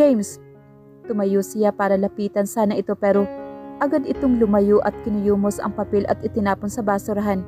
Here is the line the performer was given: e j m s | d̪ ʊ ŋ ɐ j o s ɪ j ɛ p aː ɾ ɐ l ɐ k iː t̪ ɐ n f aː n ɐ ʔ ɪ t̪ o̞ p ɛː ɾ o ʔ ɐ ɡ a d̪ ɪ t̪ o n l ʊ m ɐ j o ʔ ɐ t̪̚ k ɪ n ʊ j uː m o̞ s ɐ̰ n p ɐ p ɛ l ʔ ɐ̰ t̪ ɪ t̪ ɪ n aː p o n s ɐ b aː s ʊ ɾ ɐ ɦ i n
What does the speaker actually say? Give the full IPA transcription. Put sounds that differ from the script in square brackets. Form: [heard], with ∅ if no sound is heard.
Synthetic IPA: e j m s | [t̪] ʊ [m] ɐ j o s ɪ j [a] p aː ɾ ɐ l ɐ [p] iː t̪ ɐ n [s] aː n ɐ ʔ ɪ t̪ o̞ p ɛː ɾ o ʔ ɐ ɡ a d̪ ɪ t̪ o [ŋ] l ʊ m ɐ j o ʔ ɐ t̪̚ k ɪ n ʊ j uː m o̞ s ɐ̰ [ŋ] p ɐ p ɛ l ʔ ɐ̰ t̪ ɪ t̪ ɪ n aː p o n s ɐ b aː s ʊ ɾ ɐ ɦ [a] n